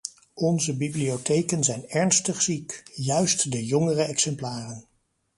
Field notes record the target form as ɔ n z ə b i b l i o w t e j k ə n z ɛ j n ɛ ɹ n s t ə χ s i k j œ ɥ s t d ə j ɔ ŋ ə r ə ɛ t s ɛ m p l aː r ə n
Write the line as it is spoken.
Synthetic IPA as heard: ɔ n z ə b i b l i o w t e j k ə n z ɛ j n ɛ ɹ n s t ə χ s i k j œ ɥ s t d ə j ɔ ŋ ə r ə ɛ k s ɛ m p l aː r ə n